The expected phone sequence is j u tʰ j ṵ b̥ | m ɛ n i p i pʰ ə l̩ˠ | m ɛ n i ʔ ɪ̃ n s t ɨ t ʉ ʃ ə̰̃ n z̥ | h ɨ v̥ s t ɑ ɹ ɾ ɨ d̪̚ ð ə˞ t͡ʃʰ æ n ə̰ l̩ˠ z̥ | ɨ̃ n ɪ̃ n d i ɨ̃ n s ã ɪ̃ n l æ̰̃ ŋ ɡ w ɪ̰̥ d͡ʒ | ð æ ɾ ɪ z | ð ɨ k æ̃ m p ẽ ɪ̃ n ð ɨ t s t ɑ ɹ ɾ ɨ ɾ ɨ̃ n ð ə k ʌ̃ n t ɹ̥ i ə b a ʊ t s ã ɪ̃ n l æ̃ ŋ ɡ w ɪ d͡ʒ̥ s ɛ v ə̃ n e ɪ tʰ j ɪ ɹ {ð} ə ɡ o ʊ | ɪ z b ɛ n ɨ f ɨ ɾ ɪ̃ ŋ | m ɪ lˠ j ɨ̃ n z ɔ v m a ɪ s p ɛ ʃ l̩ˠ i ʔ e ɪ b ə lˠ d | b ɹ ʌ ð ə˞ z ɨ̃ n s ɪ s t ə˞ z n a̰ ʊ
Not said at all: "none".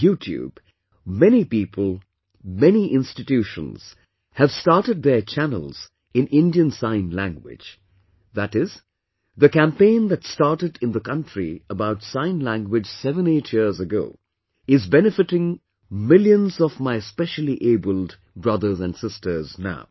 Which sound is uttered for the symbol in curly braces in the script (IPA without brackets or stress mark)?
z